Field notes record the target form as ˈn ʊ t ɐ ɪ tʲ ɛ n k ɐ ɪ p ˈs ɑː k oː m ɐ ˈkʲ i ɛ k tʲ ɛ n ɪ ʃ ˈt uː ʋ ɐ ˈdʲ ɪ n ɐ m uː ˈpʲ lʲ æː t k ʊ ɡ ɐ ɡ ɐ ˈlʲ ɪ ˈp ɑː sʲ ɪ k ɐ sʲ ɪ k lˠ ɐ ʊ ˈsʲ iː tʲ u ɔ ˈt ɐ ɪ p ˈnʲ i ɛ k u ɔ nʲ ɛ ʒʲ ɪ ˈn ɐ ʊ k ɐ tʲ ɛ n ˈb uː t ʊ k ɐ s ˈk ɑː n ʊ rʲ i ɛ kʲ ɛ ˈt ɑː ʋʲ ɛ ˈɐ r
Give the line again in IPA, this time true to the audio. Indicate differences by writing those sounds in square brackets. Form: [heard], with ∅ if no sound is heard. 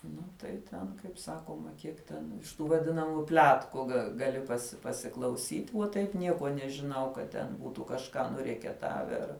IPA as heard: ˈn ʊ t ɐ ɪ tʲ ɛ n k ɐ ɪ p ˈs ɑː k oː m ɐ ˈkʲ i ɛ k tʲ ɛ n ɪ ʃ ˈt uː ʋ ɐ ˈdʲ ɪ n ɐ m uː ˈpʲ lʲ æː t k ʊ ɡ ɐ ɡ ɐ ˈlʲ ɪ ˈp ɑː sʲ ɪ [p] ɐ sʲ ɪ k lˠ ɐ ʊ ˈsʲ iː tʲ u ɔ ˈt ɐ ɪ p ˈnʲ i ɛ k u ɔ nʲ ɛ ʒʲ ɪ ˈn ɐ ʊ k ɐ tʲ ɛ n ˈb uː t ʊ k ɐ [ʃ] ˈk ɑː n ʊ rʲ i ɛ kʲ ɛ ˈt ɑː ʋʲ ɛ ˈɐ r